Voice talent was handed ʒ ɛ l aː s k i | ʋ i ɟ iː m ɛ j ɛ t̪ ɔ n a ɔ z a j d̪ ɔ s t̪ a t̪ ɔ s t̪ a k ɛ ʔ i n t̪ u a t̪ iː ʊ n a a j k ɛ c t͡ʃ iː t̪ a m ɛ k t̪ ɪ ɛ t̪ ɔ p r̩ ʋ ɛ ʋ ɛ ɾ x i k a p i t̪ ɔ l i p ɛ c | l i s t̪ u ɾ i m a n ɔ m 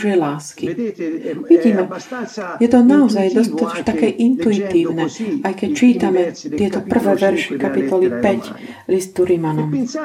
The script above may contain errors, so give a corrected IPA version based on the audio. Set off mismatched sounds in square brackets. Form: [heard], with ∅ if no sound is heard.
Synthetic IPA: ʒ ɛ l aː s k i | ʋ i ɟ iː m ɛ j ɛ t̪ ɔ n a ɔ z a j d̪ ɔ s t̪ a t̪ ɔ [ʃ] t̪ a k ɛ ʔ i n t̪ u [i] t̪ iː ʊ n [ɛ] a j k ɛ c t͡ʃ iː t̪ a m ɛ [∅] t̪ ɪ ɛ t̪ ɔ p r̩ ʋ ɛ ʋ ɛ ɾ [ʃ] i k a p i t̪ ɔ l i p ɛ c | l i s t̪ u ɾ i m a n ɔ m